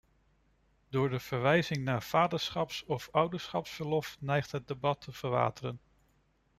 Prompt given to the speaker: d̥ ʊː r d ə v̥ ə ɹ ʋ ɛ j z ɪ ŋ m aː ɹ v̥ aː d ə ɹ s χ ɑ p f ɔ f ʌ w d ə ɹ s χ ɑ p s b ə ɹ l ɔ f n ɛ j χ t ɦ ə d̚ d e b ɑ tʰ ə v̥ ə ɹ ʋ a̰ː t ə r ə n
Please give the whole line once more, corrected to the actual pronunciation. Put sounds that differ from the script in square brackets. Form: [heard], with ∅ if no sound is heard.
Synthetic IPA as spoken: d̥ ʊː [ɹ] d ə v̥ ə ɹ ʋ ɛ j z ɪ ŋ [n] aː ɹ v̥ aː d ə ɹ s χ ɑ p [s] ɔ f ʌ w d ə ɹ s χ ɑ p s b ə ɹ l ɔ f n ɛ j χ t ɦ ə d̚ d e b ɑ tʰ ə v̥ ə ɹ ʋ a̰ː t ə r ə n